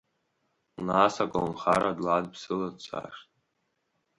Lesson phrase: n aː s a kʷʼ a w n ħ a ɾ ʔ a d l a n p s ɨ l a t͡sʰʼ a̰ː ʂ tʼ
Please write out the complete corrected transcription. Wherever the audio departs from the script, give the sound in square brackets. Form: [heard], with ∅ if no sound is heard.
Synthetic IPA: n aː s a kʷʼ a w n [χ] a ɾ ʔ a d l a [d] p s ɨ l a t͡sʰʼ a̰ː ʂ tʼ